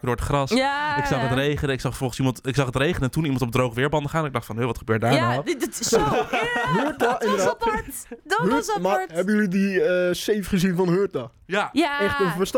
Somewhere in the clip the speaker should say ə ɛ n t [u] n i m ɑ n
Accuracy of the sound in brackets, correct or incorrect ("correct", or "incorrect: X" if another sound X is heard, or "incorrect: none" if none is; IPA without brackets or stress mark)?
correct